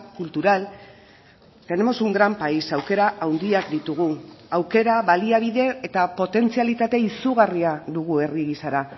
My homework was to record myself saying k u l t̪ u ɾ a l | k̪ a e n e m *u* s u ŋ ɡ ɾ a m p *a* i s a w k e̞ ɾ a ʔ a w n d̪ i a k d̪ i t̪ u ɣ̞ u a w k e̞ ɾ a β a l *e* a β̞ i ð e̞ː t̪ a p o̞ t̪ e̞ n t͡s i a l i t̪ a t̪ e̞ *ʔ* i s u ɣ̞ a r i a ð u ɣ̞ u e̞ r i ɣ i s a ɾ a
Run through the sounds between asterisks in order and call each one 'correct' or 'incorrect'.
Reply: incorrect: o, correct, incorrect: i, incorrect: none

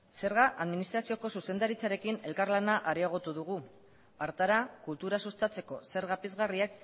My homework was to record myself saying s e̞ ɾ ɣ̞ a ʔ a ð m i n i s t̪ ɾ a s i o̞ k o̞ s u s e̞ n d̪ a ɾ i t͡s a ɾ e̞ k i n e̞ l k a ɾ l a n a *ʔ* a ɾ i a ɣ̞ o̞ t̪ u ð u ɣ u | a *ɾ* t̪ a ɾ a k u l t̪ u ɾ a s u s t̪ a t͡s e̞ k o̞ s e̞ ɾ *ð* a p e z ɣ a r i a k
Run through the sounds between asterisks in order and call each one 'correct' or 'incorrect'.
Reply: correct, correct, incorrect: ɣ

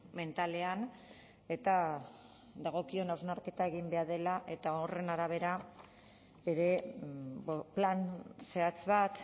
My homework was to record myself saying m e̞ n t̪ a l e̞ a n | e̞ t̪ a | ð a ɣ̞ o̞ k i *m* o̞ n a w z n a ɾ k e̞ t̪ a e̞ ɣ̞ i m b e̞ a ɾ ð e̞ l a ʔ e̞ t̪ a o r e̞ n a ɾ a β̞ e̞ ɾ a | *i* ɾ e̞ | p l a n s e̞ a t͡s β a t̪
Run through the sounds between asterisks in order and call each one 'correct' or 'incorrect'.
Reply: incorrect: none, incorrect: e

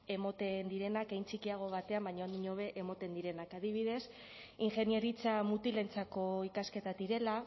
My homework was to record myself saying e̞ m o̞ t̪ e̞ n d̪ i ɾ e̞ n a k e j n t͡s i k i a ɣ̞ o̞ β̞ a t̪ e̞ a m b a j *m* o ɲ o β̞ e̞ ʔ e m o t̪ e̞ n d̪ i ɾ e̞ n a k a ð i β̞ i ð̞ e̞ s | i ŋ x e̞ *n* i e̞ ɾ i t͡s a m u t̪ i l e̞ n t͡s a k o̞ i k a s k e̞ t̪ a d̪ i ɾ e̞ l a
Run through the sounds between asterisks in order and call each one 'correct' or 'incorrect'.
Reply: incorrect: ɲ, correct

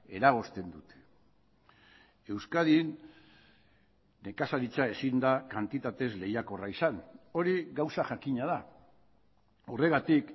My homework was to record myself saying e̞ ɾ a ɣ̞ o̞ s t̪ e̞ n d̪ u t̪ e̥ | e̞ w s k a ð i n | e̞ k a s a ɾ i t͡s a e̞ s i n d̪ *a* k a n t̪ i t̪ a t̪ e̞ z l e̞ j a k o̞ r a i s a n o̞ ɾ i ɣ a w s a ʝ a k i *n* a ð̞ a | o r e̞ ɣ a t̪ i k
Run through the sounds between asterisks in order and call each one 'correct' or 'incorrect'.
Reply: correct, incorrect: ɲ

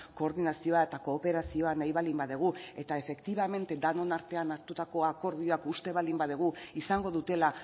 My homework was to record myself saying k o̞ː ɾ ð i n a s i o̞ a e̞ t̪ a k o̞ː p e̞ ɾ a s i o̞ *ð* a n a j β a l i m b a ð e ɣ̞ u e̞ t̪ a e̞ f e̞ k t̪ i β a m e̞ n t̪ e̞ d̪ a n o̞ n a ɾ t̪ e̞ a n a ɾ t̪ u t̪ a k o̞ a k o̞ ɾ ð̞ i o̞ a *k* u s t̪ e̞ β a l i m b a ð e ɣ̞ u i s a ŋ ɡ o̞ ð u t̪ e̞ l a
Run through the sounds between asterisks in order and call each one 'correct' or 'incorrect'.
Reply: incorrect: none, correct

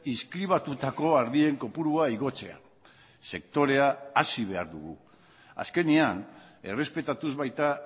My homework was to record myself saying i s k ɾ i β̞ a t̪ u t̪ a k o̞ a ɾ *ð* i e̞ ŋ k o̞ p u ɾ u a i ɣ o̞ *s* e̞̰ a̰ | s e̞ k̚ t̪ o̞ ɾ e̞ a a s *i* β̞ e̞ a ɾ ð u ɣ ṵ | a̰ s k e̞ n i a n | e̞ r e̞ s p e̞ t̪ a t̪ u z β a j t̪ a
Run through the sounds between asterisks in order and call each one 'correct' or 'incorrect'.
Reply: correct, incorrect: t͡s, correct

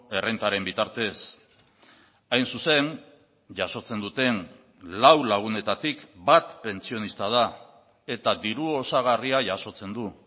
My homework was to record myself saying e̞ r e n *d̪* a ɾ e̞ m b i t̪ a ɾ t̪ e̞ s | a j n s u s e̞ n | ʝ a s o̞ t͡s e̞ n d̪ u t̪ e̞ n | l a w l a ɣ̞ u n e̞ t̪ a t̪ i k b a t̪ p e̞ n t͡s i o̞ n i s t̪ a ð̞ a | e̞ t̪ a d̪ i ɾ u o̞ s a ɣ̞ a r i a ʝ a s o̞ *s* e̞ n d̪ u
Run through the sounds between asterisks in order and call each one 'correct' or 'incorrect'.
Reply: incorrect: t̪, incorrect: t͡s

